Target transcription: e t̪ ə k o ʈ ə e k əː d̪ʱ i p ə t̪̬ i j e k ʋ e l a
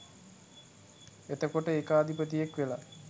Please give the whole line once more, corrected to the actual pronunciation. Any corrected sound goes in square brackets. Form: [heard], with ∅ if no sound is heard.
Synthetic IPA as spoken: e t̪ ə k o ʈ ə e k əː d̪ʱ i p ə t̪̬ i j e k ʋ e l a